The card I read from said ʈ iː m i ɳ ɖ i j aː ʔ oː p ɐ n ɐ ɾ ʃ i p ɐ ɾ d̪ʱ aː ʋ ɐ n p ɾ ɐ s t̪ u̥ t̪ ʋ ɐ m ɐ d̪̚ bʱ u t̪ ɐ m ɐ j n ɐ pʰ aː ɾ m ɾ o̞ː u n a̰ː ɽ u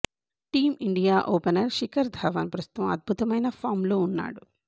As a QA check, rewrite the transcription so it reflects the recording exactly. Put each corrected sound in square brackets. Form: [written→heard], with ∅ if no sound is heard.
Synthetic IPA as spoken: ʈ iː m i ɳ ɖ i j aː ʔ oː p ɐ n ɐ ɾ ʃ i [p→k] ɐ ɾ d̪ʱ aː ʋ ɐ n p ɾ ɐ s t̪ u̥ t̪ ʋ ɐ m ɐ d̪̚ bʱ u t̪ ɐ m ɐ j n ɐ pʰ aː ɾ m [ɾ→l] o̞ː u [n→nː] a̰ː ɽ u

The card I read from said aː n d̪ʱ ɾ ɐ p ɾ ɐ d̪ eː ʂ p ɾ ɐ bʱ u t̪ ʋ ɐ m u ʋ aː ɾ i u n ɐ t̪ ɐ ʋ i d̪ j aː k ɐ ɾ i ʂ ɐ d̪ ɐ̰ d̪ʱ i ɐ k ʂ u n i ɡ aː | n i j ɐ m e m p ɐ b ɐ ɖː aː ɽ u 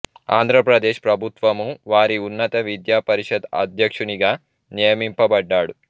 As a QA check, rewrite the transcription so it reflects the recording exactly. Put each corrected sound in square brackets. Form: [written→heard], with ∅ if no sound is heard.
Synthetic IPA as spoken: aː n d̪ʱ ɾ ɐ p ɾ ɐ d̪ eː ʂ p ɾ ɐ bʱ u t̪ ʋ ɐ m u ʋ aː ɾ i u [n→nː] ɐ t̪ ɐ ʋ i d̪ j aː [k→p] ɐ ɾ i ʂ ɐ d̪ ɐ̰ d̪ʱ [i→j] ɐ k ʂ u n i ɡ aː | n i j ɐ m [e→i] m p ɐ b ɐ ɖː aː ɽ u

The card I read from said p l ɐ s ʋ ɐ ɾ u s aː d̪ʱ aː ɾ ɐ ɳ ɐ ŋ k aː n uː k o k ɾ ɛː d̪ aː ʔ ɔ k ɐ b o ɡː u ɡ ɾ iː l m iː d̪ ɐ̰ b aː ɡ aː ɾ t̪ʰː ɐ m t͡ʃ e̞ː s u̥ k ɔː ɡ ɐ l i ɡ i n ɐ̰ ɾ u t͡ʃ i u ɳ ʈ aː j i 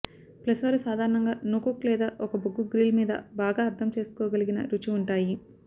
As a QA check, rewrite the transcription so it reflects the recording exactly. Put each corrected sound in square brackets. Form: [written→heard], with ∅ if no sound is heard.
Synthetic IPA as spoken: p l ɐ s ʋ ɐ ɾ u s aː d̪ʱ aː ɾ ɐ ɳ ɐ ŋ [k→ɡ] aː n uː k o k [ɾ→l] ɛː d̪ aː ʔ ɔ k ɐ b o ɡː u ɡ ɾ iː l m iː d̪ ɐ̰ b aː ɡ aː ɾ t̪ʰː ɐ m t͡ʃ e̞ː s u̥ k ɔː ɡ ɐ l i ɡ i n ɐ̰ ɾ u t͡ʃ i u ɳ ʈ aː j i

